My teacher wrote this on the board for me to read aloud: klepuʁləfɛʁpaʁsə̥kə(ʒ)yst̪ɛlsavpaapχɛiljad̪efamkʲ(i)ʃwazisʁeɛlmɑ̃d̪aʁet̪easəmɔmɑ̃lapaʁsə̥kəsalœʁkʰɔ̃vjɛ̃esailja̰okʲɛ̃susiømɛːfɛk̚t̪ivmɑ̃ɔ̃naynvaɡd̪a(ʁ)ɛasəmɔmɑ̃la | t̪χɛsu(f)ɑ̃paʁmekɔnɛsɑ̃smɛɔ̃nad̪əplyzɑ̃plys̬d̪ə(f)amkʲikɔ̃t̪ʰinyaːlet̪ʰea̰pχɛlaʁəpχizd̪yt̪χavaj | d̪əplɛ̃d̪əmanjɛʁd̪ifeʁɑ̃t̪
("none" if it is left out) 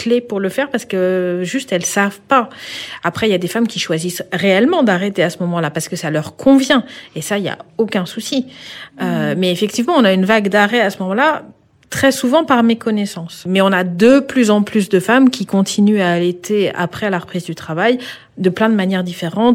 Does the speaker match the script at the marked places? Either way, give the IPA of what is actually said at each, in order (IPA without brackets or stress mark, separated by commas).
ʒ, i, ʁ, v, f